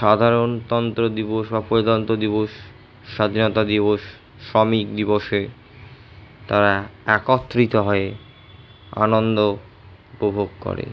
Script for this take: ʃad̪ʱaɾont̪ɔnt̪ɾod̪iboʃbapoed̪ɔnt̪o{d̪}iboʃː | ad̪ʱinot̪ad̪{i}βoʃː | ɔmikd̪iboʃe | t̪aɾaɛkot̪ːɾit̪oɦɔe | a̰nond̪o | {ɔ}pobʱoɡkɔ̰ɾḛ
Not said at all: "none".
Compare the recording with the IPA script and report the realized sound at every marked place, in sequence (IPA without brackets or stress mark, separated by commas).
d̪, i, u